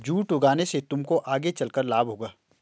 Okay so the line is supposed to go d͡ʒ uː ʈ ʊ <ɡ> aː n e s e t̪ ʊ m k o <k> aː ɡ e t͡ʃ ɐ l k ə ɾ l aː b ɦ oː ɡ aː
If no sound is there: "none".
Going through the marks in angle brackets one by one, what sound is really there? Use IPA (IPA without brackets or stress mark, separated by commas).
ɡ, ʔ